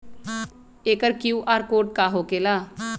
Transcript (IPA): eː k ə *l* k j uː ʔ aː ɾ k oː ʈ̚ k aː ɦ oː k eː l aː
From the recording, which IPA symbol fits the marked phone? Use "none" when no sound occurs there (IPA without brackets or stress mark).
ɾ